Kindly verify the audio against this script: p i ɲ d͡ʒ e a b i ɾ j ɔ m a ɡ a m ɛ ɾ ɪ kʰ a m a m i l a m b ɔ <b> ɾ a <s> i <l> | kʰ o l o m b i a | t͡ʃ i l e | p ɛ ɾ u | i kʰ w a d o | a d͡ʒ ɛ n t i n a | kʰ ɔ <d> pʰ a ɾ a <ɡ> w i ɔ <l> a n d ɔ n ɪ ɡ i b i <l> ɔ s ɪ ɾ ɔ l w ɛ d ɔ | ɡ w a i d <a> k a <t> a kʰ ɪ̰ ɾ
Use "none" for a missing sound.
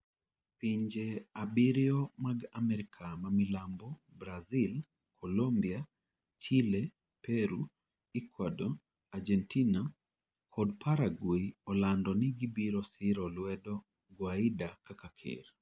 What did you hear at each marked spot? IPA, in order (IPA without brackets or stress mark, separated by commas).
b, z, l, d, ɡ, l, ɾ, a, k